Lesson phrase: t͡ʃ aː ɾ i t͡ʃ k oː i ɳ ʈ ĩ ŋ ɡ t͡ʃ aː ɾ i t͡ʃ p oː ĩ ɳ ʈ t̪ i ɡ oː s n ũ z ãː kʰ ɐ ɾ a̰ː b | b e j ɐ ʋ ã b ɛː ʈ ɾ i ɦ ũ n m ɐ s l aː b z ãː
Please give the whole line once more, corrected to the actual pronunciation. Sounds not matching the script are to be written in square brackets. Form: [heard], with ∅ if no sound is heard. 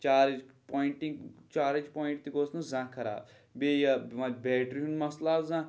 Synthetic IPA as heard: t͡ʃ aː ɾ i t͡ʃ [p] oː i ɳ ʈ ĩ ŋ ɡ t͡ʃ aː ɾ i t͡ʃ p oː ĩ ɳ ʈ t̪ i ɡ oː s n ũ z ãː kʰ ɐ ɾ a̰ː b | b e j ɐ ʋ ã b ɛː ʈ ɾ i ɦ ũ n m ɐ s l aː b z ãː

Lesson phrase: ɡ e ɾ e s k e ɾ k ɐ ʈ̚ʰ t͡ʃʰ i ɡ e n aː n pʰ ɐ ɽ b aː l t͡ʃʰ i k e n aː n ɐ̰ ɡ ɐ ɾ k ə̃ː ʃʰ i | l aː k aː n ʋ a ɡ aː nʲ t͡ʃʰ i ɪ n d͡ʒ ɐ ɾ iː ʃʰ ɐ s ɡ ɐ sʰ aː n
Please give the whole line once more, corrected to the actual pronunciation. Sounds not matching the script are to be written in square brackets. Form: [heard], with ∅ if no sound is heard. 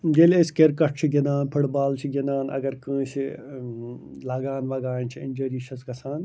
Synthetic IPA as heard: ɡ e [l] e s k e ɾ k ɐ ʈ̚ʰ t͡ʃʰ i ɡ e n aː n pʰ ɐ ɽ b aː l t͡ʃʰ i [ɡ] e n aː n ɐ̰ ɡ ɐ ɾ k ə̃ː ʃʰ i | l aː [ɡ] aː n ʋ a ɡ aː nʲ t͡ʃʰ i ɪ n d͡ʒ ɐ ɾ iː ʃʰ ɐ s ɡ ɐ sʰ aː n

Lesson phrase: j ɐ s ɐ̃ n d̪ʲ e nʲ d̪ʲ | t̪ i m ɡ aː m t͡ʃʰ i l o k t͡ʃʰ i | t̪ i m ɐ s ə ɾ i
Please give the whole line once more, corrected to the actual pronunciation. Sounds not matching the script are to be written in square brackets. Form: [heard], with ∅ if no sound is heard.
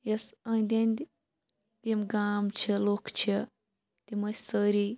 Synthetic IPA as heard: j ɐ s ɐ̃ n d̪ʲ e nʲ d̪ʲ | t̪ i m ɡ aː m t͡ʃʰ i l o k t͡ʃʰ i | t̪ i m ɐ s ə ɾ i

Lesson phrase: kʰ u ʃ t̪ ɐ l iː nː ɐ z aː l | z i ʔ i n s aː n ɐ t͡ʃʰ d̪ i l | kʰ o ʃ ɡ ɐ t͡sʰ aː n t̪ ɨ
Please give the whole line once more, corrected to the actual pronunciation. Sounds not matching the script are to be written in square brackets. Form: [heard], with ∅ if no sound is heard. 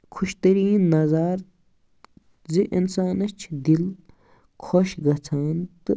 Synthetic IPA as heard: kʰ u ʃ t̪ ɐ [ɾ] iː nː ɐ z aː [ɾ] | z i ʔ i n s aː n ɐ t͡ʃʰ d̪ i l | kʰ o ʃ ɡ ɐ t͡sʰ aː n t̪ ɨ

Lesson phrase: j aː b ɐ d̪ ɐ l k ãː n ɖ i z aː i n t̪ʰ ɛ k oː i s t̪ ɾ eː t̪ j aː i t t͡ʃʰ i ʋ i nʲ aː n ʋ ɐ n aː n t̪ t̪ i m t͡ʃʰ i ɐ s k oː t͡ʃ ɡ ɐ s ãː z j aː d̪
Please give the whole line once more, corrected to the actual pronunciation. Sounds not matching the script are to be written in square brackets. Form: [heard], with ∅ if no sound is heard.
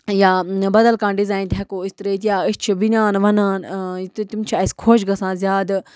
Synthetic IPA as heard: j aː b ɐ d̪ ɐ l k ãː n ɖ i z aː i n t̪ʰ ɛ k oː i s t̪ ɾ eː t̪ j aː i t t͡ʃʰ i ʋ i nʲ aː n ʋ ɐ n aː n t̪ t̪ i m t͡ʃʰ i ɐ s [kʰ] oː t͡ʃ ɡ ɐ s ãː z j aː d̪

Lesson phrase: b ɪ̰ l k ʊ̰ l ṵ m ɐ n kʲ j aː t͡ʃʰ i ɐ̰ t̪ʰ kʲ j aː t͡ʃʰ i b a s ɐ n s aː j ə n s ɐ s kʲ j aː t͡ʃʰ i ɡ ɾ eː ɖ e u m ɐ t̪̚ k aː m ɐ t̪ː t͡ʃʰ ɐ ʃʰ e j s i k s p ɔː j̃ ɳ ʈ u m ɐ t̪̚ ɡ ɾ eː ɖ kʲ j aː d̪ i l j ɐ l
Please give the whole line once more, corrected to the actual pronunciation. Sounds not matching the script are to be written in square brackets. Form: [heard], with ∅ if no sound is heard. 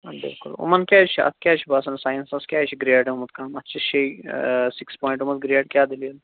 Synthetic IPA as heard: b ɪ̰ l k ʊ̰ l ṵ m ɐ n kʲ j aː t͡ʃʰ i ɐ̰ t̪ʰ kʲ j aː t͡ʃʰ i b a s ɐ n s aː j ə n s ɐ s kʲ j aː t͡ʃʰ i ɡ ɾ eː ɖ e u m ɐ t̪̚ k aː m ɐ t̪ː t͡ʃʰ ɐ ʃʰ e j s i k s p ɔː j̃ ɳ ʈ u m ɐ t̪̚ ɡ ɾ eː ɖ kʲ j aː d̪ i l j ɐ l

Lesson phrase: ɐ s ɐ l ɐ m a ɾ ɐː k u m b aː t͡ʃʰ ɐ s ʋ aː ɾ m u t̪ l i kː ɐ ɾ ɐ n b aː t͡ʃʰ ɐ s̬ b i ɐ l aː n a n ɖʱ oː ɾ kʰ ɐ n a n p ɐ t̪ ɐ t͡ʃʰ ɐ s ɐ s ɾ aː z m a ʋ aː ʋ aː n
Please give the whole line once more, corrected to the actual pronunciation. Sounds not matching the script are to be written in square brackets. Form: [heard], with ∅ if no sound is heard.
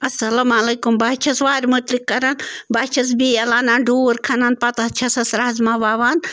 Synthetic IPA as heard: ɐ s ɐ l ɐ m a [l] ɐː k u m b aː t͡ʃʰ ɐ s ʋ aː ɾ m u t̪ l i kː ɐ ɾ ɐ n b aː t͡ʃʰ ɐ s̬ b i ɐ l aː n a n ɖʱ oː ɾ kʰ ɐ n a n p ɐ t̪ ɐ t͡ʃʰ ɐ s ɐ s ɾ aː z m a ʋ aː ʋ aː n

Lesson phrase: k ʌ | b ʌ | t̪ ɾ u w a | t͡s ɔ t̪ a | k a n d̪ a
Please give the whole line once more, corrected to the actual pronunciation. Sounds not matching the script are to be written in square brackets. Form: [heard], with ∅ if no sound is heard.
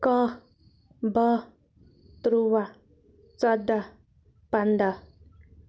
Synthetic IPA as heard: k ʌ | b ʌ | t̪ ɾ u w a | t͡s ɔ [d̪] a | [p] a n d̪ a

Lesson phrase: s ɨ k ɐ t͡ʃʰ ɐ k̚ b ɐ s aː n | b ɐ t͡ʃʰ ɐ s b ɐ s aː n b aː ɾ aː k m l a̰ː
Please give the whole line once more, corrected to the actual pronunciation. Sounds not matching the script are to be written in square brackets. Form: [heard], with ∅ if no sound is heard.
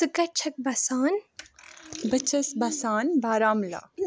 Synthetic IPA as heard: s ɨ k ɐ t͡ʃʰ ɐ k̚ b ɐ s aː n | b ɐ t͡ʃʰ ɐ s b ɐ s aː n b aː ɾ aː [∅] m l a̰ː

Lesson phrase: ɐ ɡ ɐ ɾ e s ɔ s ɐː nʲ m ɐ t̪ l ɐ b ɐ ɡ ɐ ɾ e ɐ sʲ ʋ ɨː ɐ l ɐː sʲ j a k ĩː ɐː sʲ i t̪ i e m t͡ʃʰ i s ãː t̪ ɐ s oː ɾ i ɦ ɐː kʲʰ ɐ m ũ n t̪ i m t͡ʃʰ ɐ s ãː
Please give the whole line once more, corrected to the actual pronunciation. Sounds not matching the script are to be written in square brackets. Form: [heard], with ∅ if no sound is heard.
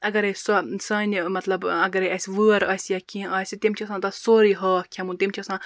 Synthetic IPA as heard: ɐ ɡ ɐ ɾ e s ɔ s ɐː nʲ m ɐ t̪ l ɐ b ɐ ɡ ɐ ɾ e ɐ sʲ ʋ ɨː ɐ [ɾ] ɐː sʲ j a k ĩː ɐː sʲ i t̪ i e m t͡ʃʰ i s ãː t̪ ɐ s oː ɾ i ɦ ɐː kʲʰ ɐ m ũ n t̪ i m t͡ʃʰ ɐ s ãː

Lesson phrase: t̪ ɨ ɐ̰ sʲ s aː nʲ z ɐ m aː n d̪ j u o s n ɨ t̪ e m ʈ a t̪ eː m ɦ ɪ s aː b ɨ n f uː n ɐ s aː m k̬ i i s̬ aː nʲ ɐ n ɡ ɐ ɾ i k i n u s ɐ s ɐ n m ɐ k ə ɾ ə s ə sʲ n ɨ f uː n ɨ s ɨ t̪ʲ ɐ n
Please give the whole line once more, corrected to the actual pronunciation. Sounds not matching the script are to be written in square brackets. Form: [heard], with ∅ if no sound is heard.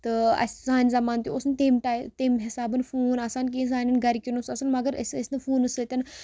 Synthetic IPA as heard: t̪ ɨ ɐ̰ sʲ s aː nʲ z ɐ m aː n [t̪] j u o s n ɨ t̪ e m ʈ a t̪ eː m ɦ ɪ s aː b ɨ n f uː n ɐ s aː [n] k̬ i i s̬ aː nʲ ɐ n ɡ ɐ ɾ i k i n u s ɐ s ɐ n m ɐ [ɡ] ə ɾ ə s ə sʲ n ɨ f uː n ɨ s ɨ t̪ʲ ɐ n

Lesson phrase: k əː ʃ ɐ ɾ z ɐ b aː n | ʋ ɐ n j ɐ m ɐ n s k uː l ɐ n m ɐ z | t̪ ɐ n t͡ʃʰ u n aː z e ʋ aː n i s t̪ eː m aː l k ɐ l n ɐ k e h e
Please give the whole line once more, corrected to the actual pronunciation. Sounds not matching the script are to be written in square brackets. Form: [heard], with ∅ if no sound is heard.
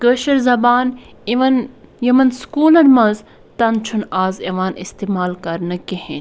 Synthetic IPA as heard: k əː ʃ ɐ ɾ z ɐ b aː n | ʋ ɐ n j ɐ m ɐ n s k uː l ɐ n m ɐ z | t̪ ɐ n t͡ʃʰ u n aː z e ʋ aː n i s t̪ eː m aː l k ɐ [ɾ] n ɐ k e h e

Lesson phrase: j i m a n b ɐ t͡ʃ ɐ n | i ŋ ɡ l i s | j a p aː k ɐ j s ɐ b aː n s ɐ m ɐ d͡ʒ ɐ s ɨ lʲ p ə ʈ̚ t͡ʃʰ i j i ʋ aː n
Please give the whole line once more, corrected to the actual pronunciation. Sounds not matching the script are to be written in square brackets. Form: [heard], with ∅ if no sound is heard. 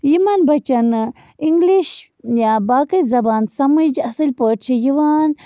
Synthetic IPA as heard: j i m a n b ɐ t͡ʃ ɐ n | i ŋ ɡ l i [ʃ] | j a [b] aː k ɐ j [z] ɐ b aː n s ɐ m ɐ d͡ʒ ɐ s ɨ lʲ p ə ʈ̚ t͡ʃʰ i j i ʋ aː n

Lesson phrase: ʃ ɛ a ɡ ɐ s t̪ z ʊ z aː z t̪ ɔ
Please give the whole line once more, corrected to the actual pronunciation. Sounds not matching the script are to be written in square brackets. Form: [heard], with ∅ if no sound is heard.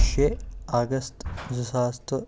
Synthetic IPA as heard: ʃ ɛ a ɡ ɐ s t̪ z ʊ [s] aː [s] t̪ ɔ

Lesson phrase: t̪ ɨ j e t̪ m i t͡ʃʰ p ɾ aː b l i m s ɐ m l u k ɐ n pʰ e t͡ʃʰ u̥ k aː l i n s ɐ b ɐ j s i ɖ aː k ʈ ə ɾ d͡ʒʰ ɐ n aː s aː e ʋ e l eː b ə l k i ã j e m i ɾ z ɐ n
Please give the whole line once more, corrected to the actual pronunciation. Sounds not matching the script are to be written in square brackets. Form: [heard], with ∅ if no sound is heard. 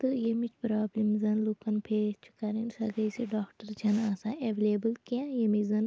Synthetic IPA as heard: t̪ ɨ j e [∅] m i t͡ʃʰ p ɾ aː b l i m [z] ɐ [n] l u k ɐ n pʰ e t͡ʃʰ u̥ k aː [ɾ] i n s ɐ [ɡ] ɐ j s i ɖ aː k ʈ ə ɾ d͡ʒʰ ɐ n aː s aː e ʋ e l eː b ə l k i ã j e m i [∅] z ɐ n

